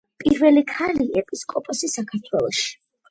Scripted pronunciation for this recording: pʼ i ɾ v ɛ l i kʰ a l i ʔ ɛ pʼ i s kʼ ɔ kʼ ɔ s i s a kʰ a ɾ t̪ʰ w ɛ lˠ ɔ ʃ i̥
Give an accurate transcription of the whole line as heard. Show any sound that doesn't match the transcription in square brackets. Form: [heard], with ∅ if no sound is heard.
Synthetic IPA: pʼ i ɾ v ɛ l i kʰ a l i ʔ ɛ pʼ i s kʼ ɔ [pʼ] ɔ s i s a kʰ a ɾ t̪ʰ w ɛ lˠ ɔ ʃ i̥